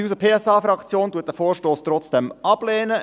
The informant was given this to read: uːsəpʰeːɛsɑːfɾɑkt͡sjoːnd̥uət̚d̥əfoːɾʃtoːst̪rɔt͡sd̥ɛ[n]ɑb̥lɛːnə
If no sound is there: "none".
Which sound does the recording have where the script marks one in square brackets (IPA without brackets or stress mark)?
m